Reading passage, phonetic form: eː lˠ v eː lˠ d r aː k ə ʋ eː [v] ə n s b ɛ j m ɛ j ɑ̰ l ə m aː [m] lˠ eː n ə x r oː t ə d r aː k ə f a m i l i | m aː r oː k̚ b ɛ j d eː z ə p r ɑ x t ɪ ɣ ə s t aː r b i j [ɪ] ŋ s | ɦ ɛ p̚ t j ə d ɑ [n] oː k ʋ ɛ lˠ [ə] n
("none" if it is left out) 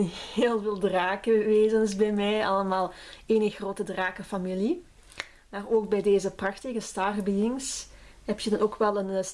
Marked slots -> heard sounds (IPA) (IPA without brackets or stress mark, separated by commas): z, none, ɪ, n, ə